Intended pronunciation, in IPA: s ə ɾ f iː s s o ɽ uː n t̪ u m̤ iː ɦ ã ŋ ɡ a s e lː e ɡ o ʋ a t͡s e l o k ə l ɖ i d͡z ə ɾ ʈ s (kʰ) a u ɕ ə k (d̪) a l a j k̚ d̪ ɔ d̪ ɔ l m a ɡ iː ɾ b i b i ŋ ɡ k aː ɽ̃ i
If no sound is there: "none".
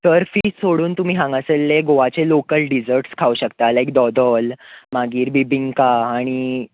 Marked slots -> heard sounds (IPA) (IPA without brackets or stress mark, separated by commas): kʰ, t̪